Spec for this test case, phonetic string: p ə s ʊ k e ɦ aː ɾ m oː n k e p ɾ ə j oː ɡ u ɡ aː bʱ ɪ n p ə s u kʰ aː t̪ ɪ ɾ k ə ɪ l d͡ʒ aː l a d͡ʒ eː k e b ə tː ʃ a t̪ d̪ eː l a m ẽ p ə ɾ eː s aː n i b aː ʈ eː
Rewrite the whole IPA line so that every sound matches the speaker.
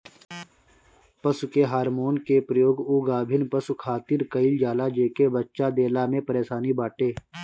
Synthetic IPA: p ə s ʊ k e ɦ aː ɾ m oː n k e p ɾ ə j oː ɡ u ɡ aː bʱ ɪ n p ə s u kʰ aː t̪ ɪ ɾ k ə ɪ l d͡ʒ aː l a d͡ʒ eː k e b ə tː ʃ a d̪ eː l a m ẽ p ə ɾ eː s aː n i b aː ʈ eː